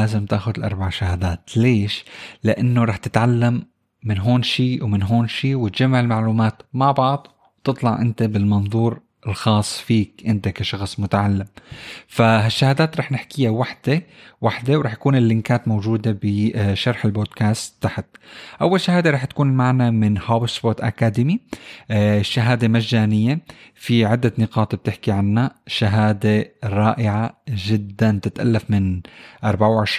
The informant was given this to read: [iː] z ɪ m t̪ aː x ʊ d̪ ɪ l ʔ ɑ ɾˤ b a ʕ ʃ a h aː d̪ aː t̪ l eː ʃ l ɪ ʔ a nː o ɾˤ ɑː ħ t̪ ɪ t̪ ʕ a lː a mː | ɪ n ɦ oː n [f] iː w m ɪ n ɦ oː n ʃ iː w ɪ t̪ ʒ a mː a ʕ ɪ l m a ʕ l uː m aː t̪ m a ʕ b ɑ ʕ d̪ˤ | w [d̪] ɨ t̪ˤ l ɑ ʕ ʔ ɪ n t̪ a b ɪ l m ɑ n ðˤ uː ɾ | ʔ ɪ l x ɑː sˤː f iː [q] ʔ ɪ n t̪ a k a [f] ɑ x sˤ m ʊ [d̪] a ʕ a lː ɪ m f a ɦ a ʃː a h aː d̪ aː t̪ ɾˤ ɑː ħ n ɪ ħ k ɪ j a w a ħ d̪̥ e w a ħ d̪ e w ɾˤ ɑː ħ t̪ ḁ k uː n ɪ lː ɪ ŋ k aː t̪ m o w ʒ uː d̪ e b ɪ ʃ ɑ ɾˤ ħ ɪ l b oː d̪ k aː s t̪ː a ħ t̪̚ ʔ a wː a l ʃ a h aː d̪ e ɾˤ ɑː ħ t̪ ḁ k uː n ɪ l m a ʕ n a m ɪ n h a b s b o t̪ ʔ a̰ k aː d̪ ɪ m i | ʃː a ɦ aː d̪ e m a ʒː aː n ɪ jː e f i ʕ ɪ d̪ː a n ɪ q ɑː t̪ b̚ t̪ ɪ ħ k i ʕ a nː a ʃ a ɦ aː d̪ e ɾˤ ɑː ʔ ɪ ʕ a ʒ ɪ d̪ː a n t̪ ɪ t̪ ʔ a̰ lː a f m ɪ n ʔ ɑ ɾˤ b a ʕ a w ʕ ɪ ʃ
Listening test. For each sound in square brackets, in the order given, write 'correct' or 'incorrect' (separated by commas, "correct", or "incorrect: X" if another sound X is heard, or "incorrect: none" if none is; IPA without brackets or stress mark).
incorrect: aː, incorrect: ʃ, incorrect: t̪, incorrect: k, incorrect: ʃ, incorrect: t̪